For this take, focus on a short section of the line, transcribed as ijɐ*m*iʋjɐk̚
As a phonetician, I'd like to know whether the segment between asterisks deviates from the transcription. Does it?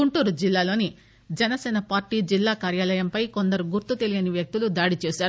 yes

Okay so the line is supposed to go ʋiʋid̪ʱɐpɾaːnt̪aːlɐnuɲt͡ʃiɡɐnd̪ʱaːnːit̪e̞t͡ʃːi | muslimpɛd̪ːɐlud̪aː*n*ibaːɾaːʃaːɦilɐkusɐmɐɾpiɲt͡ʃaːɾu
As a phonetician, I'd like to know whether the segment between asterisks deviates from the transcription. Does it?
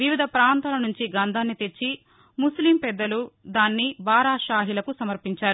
yes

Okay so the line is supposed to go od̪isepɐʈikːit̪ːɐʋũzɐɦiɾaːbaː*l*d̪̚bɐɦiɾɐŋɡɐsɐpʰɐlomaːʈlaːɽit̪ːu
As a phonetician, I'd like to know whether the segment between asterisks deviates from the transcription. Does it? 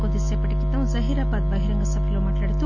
yes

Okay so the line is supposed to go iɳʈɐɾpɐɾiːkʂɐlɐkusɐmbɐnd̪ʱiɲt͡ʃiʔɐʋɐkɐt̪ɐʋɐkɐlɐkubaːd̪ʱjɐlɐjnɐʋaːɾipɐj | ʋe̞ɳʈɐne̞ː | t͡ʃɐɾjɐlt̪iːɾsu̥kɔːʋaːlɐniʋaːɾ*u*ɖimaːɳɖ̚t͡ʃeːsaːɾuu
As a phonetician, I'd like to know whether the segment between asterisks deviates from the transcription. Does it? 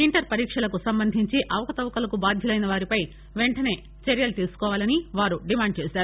no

